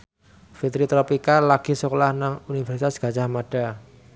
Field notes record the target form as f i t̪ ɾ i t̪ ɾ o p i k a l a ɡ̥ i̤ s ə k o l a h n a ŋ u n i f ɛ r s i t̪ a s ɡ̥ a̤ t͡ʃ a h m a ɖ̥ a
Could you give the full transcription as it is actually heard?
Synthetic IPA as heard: f i t̪ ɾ i t̪ ɾ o p i k a l a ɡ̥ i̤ s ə k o l a h n a ŋ u n i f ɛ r s i t̪ a s ɡ̥ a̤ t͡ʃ a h m a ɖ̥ a